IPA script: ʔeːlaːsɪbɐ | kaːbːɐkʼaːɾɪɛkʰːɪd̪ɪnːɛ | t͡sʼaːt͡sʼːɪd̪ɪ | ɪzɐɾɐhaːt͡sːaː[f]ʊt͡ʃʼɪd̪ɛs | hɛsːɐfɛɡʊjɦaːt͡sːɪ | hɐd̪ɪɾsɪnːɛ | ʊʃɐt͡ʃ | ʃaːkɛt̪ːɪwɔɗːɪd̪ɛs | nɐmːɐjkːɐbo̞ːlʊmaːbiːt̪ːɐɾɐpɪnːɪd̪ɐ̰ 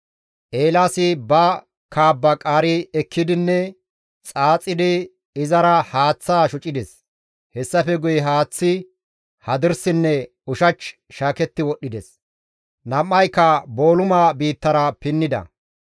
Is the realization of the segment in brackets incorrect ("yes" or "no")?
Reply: yes